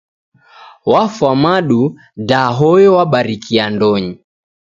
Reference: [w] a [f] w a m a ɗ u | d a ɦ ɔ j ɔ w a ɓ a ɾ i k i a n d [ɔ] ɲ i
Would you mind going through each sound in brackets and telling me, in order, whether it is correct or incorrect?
correct, correct, correct

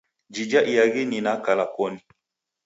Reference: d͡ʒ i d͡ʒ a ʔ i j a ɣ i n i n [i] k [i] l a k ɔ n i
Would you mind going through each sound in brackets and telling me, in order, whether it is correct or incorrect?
incorrect, incorrect

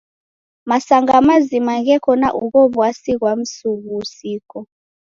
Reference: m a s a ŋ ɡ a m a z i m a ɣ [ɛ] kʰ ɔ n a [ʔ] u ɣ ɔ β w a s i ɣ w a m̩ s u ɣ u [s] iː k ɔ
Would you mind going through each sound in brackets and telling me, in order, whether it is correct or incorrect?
correct, correct, correct

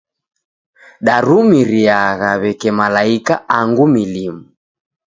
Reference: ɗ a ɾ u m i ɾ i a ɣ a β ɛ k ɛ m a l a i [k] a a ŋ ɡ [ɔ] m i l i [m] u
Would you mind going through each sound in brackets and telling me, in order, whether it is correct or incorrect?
correct, incorrect, correct

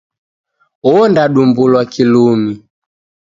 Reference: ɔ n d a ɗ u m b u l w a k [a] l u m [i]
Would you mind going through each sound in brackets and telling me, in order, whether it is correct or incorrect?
incorrect, correct

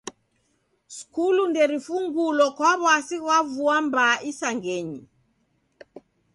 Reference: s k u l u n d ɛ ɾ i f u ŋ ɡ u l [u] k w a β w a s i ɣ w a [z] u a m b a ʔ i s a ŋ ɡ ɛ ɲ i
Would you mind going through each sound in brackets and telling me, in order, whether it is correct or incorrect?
incorrect, incorrect

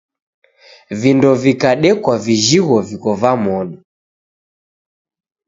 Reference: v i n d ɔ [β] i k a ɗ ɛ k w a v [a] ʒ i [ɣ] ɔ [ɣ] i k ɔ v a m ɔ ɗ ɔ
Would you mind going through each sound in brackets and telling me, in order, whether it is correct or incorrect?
incorrect, incorrect, correct, incorrect

